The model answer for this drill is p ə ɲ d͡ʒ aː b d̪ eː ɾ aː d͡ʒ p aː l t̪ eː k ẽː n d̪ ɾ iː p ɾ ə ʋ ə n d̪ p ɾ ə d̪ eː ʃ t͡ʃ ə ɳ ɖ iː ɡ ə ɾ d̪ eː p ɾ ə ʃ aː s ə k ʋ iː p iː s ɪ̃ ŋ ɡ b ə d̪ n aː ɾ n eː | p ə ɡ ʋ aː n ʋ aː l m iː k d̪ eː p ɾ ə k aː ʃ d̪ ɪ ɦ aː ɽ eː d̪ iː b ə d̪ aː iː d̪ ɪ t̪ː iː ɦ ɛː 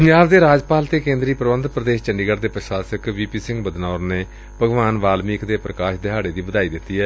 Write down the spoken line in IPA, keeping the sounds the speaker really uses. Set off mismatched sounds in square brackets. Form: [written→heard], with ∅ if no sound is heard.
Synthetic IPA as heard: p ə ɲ d͡ʒ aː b d̪ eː ɾ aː d͡ʒ p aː l t̪ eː k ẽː n d̪ ɾ iː p ɾ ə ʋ ə n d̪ p ɾ ə d̪ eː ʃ t͡ʃ ə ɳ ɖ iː ɡ ə ɾ d̪ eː p ɾ ə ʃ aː s ə k ʋ iː p iː s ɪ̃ ŋ ɡ b ə d̪ n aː ɾ n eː | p ə ɡ ʋ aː n ʋ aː l m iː k d̪ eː p ɾ ə k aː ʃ d̪ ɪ ɦ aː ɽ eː d̪ iː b ə d̪ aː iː d̪ ɪ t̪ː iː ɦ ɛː